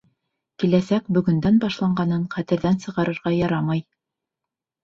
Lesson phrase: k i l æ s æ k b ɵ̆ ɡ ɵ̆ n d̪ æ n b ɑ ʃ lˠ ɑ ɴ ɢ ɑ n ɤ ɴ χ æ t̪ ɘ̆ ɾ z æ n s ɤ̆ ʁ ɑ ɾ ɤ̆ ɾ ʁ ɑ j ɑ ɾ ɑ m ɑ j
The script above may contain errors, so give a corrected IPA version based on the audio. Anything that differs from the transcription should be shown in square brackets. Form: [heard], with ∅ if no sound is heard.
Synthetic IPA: k i l æ s æ k b ɵ̆ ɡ ɵ̆ n d̪ æ n b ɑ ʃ lˠ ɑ ɴ ɢ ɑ n ɤ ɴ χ æ t̪ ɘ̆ ɾ [ð] æ n s ɤ̆ ʁ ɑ ɾ ɤ̆ ɾ ʁ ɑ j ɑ ɾ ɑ m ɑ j